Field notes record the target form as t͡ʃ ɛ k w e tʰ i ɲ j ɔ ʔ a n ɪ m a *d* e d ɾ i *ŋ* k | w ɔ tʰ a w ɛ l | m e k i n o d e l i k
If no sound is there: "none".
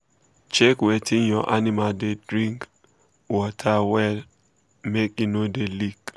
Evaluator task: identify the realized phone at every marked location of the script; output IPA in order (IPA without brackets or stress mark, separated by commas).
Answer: d, ŋ